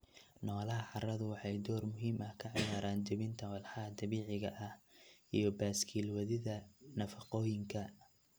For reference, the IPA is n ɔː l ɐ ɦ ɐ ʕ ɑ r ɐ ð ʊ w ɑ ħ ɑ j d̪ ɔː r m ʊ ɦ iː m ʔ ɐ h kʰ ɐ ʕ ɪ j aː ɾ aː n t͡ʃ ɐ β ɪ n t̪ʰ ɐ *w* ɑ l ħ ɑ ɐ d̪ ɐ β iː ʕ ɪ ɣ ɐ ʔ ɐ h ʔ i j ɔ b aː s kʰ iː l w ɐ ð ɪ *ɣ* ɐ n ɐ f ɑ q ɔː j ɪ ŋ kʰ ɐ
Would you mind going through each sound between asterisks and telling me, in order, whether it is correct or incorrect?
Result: correct, incorrect: ð

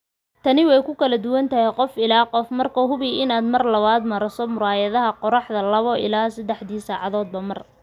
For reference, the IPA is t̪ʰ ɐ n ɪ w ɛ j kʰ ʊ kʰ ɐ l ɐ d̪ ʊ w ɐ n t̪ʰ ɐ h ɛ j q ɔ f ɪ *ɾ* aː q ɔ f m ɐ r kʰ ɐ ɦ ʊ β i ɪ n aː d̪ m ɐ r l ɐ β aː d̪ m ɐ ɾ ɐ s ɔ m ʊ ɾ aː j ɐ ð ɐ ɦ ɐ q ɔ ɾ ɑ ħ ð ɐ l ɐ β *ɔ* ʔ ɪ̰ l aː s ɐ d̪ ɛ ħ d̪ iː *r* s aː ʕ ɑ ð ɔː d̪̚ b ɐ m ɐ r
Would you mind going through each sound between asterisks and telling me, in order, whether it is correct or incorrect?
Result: incorrect: l, correct, incorrect: none

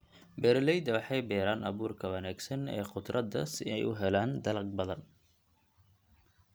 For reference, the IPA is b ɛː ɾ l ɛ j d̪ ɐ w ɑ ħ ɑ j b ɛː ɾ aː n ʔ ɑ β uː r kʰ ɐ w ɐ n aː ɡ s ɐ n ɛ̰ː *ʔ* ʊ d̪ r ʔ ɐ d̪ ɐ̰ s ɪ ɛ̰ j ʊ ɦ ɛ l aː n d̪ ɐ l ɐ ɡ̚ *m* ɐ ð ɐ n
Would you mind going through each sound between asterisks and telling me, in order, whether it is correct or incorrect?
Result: incorrect: q, incorrect: b

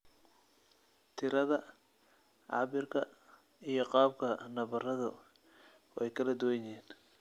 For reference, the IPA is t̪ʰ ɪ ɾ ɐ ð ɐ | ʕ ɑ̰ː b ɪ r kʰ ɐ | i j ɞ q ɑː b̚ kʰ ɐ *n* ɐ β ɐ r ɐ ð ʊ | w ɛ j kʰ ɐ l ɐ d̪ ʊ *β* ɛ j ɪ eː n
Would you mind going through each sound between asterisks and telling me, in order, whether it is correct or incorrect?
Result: correct, incorrect: w

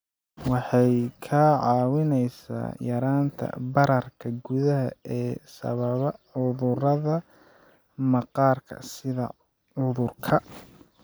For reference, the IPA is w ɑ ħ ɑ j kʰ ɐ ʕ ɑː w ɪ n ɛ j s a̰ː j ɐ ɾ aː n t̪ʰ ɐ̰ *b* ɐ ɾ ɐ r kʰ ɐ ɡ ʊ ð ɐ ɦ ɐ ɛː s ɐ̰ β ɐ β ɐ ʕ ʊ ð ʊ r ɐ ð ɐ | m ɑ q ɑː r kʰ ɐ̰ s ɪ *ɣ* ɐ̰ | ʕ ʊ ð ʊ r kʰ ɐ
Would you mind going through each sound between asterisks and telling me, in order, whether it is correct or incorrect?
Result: correct, incorrect: ð

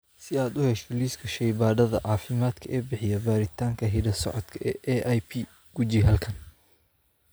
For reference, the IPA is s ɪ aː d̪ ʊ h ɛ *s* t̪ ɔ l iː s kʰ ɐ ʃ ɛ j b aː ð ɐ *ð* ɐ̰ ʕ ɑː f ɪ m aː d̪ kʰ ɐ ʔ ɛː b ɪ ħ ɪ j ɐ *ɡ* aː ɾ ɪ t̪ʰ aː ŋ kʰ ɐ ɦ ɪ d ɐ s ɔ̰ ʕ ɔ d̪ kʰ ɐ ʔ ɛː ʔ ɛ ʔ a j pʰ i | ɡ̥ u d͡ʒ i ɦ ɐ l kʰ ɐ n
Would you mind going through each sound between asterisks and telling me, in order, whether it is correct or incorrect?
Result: incorrect: ʃ, correct, incorrect: b

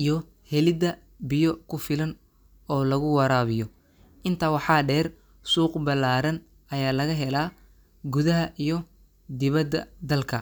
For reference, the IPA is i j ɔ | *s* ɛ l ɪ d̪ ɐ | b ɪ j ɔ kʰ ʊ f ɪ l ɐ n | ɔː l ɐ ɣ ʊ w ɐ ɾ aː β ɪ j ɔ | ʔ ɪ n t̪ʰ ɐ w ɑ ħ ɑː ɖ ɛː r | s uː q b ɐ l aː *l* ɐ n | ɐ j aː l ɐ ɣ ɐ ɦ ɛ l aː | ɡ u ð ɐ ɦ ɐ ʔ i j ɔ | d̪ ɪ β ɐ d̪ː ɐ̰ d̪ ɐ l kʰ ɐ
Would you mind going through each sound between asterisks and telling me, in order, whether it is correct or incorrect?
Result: incorrect: h, incorrect: ɾ

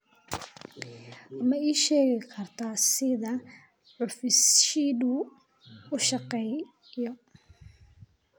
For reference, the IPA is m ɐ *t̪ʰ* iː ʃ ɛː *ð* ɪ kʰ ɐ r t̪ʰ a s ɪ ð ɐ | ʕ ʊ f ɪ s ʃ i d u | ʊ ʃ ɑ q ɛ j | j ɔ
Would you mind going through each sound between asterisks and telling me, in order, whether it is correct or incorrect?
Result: incorrect: none, incorrect: ɣ

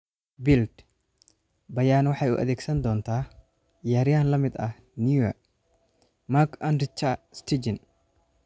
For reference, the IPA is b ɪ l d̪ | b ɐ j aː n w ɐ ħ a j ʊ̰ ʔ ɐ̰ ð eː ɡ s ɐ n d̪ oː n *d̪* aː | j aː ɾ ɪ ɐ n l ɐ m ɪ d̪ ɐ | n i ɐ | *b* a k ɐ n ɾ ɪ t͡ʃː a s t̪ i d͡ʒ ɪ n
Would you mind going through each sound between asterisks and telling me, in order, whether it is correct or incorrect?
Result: incorrect: t̪, incorrect: m

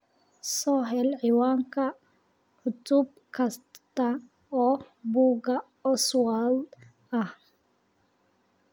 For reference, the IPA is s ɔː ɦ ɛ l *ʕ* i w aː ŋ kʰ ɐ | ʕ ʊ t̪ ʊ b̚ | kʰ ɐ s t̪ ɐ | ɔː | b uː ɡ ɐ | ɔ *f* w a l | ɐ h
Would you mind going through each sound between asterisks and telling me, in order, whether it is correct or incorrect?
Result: correct, incorrect: s

